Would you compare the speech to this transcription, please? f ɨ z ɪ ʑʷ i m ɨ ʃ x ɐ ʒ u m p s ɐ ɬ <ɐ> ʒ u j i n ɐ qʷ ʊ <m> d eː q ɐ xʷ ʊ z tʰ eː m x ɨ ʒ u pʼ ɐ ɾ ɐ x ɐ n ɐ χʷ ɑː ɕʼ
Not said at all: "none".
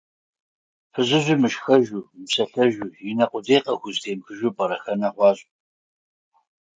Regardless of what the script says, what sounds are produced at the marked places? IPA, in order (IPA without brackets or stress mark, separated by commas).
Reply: ɐ, none